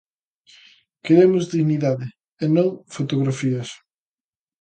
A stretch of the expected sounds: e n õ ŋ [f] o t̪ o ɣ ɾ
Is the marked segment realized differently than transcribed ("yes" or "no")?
no